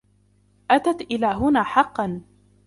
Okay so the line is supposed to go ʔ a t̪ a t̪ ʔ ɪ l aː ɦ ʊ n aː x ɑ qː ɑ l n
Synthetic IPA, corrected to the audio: ʔ a t̪ a t̪ ʔ ɪ l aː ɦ ʊ n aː ħ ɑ qː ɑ n